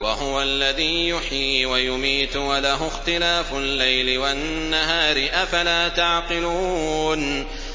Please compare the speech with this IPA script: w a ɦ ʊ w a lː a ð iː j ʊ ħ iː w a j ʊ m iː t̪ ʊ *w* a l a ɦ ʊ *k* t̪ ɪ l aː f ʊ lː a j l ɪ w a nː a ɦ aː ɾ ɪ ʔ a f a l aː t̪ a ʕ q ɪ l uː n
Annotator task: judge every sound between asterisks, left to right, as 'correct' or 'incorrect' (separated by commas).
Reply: correct, incorrect